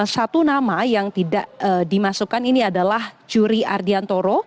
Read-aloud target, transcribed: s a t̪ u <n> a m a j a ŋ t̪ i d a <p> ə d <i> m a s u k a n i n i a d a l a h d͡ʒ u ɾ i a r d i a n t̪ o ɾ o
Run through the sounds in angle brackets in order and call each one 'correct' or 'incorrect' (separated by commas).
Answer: correct, incorrect, correct